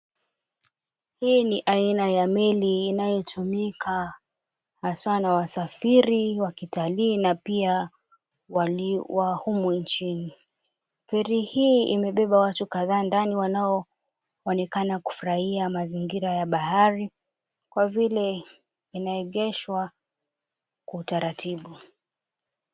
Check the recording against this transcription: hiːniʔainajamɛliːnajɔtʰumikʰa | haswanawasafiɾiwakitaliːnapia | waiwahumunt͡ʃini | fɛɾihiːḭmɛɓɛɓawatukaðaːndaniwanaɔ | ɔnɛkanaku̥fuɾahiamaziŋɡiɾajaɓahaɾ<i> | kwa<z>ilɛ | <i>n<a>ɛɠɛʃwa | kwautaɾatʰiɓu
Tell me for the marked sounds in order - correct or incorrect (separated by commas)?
correct, incorrect, correct, correct